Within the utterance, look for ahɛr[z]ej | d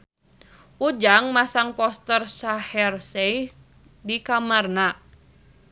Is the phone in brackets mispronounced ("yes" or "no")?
yes